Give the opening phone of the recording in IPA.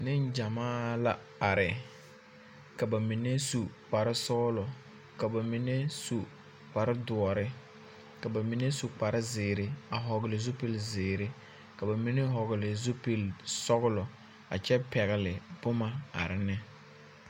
n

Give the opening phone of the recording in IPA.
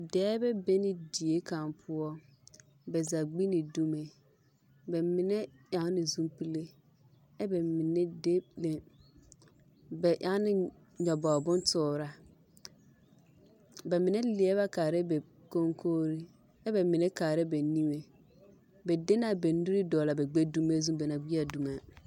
d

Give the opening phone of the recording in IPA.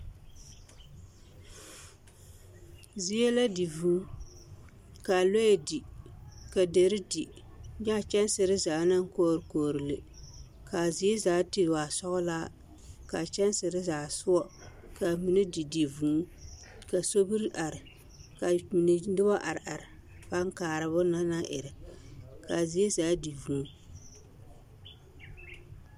z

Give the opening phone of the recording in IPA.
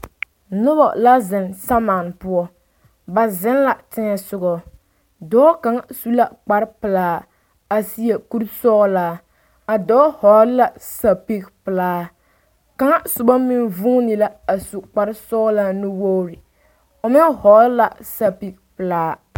n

